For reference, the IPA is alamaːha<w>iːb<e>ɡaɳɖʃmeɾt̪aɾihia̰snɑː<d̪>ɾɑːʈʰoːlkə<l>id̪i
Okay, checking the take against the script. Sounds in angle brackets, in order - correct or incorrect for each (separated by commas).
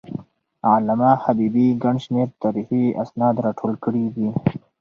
incorrect, incorrect, correct, incorrect